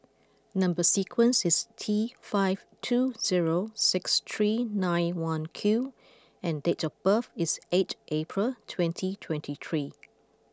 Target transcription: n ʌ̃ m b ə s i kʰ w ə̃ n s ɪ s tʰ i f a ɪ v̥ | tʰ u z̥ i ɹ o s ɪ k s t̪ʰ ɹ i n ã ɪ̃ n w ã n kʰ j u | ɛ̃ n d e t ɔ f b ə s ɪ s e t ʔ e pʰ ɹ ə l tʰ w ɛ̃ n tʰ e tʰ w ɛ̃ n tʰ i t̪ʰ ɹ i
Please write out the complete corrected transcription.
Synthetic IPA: n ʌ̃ m b ə s i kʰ w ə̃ n s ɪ s tʰ i f a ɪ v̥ | tʰ u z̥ i ɹ o s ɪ k s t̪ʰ ɹ i n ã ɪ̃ n w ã n kʰ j u | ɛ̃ n d e t ɔ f b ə f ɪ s e t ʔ e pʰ ɹ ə l tʰ w ɛ̃ n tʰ i tʰ w ɛ̃ n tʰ i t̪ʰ ɹ i